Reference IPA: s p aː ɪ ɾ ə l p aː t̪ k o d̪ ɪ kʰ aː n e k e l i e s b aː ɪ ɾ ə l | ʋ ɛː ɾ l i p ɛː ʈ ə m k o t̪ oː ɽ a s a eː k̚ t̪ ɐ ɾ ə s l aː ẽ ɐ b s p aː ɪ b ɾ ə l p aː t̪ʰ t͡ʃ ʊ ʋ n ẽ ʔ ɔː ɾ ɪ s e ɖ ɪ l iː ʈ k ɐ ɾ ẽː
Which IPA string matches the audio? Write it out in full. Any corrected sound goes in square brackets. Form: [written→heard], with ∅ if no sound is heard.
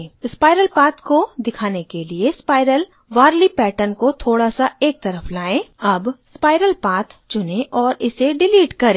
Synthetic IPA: s p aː ɪ ɾ ə l p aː t̪ k o d̪ ɪ kʰ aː n e k e l i e s [b→p] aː ɪ ɾ ə l | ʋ [ɛː→aː] ɾ l i p ɛː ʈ ə [m→n] k o [t̪→t̪ʰ] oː ɽ a s a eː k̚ t̪ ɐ ɾ ə [s→f] l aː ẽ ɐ b s p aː ɪ [b→∅] ɾ ə l p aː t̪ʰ t͡ʃ ʊ [ʋ→∅] n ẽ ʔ ɔː ɾ ɪ s e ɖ ɪ l iː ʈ k ɐ ɾ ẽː

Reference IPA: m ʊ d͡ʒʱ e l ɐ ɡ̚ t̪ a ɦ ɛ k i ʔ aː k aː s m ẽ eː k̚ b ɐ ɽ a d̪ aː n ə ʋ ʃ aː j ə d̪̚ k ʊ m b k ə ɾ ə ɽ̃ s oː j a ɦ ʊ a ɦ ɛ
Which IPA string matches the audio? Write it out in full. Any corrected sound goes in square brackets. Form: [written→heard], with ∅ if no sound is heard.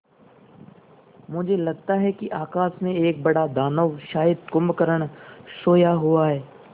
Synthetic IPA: m ʊ d͡ʒʱ e l ɐ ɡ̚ t̪ a ɦ ɛ k i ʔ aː k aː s m ẽ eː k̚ b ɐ ɽ a d̪ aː n ə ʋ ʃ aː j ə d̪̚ k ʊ m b k ə ɾ ə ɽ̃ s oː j a ɦ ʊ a ɦ [ɛ→ɛː]

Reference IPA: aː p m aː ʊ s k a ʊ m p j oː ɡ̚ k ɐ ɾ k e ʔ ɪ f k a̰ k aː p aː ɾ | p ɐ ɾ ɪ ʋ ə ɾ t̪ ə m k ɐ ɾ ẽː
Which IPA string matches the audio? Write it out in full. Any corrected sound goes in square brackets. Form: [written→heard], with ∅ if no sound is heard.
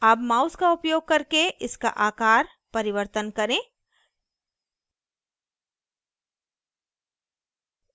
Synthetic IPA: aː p m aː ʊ s k a ʊ [m→∅] p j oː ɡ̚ k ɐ ɾ k e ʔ ɪ [f→s] k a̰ [k→ʔ] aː [p→k] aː ɾ | p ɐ ɾ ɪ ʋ ə ɾ t̪ ə [m→n] k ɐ ɾ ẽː

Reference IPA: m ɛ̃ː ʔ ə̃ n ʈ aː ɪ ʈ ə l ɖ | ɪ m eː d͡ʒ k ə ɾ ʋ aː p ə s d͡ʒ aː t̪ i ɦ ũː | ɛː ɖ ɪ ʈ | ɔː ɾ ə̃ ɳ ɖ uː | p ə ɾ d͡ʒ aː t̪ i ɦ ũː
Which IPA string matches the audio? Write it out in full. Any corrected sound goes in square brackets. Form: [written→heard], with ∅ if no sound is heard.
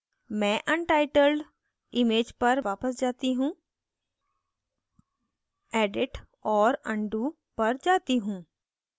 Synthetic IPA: m ɛ̃ː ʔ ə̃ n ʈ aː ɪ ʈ ə l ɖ | ɪ m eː d͡ʒ [k→p] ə ɾ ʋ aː p ə s d͡ʒ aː t̪ i ɦ ũː | ɛː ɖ ɪ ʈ | ɔː ɾ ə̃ ɳ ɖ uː | p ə ɾ d͡ʒ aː t̪ i ɦ ũː

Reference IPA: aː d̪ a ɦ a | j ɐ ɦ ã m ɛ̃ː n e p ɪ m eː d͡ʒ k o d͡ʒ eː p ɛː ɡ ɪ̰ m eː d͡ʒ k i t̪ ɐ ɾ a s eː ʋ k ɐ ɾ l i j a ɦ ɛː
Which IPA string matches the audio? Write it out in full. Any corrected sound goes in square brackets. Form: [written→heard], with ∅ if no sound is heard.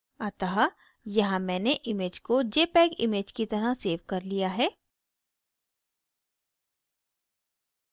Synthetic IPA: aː [d̪→t̪] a ɦ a | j ɐ ɦ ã m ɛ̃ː n e [p→ʔ] ɪ m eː d͡ʒ k o d͡ʒ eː p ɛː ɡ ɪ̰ m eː d͡ʒ k i t̪ ɐ ɾ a s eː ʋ k ɐ ɾ l i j a ɦ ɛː

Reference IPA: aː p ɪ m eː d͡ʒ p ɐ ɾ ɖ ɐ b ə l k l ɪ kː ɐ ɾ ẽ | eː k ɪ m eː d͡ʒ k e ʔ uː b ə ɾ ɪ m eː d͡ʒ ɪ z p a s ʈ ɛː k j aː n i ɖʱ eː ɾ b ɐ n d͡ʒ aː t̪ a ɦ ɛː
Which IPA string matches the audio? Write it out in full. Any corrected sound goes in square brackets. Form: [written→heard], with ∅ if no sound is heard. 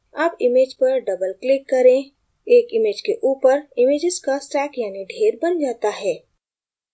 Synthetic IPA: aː p ɪ m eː d͡ʒ p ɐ ɾ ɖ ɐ b ə l k l ɪ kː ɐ ɾ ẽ | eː k ɪ m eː d͡ʒ k e ʔ uː [b→p] ə ɾ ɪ m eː d͡ʒ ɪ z [p→k] a s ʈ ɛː k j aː n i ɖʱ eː ɾ b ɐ n d͡ʒ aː t̪ a ɦ ɛː

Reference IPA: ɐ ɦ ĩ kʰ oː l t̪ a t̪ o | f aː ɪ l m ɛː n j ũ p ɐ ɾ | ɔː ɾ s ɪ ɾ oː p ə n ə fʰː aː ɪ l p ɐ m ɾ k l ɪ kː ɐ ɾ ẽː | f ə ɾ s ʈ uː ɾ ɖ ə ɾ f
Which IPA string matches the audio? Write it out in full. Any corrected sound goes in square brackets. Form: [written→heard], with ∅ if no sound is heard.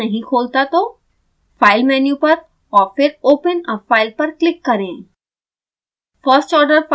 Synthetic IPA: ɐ ɦ ĩ kʰ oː l t̪ a t̪ o | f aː ɪ l m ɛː n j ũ p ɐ ɾ | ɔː ɾ [s→f] ɪ ɾ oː p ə n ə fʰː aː ɪ l p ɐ [m→∅] ɾ k l ɪ kː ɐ ɾ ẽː | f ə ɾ s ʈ [uː→ɔː] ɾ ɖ ə ɾ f

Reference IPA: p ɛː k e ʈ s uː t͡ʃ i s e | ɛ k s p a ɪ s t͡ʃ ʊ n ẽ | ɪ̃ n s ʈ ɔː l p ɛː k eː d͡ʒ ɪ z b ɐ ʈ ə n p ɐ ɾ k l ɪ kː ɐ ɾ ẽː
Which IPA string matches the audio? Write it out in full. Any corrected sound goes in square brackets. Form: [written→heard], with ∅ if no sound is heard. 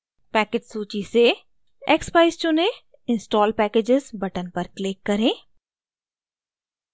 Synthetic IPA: p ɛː k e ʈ s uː t͡ʃ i s e | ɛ k s p a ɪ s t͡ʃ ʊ n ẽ | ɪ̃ n s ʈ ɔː l p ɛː k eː d͡ʒ ɪ z b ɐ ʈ ə n p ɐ ɾ k l ɪ kː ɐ ɾ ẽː

